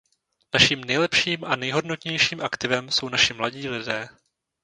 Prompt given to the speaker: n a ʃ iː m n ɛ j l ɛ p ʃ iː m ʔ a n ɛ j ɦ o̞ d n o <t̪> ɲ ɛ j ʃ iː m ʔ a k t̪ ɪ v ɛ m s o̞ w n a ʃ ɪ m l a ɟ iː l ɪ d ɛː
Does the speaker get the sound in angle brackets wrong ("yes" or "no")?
no